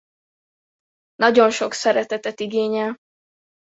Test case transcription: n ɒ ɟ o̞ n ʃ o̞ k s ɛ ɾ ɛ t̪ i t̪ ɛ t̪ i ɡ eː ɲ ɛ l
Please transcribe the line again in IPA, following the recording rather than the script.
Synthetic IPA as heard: n ɒ ɟ o̞ n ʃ o̞ k s ɛ ɾ ɛ t̪ ɛ t̪ ɛ t̪ i ɡ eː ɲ ɛ l